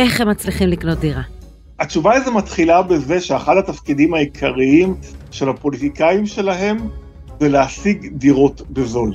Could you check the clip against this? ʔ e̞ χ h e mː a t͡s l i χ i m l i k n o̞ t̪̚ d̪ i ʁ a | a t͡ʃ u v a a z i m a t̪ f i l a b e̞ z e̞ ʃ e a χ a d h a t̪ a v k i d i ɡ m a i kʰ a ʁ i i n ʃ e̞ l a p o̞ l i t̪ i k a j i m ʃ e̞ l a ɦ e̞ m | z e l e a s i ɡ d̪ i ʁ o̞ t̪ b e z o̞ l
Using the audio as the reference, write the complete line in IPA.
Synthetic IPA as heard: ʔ e̞ χ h e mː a t͡s l i χ i m l i k n o̞ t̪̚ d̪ i ʁ a | a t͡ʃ u v a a z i m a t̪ χ i l a b e̞ z e̞ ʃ e a χ a d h a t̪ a f k i d i m a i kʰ a ʁ i i m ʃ e̞ l a p o̞ l i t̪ i k a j i m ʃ e̞ l a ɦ e̞ m | z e l e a s i ɡ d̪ i ʁ o̞ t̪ b e z o̞ l